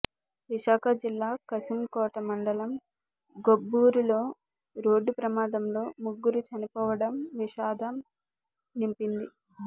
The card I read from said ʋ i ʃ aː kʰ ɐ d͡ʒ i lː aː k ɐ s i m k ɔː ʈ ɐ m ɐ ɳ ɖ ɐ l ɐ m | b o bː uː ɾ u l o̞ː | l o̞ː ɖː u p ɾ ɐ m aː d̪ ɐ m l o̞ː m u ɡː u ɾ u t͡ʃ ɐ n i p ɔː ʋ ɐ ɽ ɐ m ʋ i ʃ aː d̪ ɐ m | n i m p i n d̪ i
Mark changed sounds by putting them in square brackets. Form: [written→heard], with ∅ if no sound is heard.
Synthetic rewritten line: ʋ i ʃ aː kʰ ɐ d͡ʒ i lː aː k ɐ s i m k ɔː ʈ ɐ m ɐ ɳ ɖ ɐ l ɐ m | [b→ɡ] o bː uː ɾ u l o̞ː | [l→ɾ] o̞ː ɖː u p ɾ ɐ m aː d̪ ɐ m l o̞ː m u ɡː u ɾ u t͡ʃ ɐ n i p ɔː ʋ ɐ ɽ ɐ m ʋ i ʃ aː d̪ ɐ m | n i m p i n d̪ i